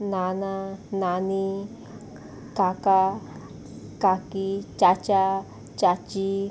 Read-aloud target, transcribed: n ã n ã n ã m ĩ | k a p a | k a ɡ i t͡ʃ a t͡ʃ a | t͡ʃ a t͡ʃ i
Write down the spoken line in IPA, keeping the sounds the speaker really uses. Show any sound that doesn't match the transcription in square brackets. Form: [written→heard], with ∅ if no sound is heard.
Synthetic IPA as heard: n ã n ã n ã [m→n] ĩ | k a [p→k] a | k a [ɡ→k] i t͡ʃ a t͡ʃ a | t͡ʃ a t͡ʃ i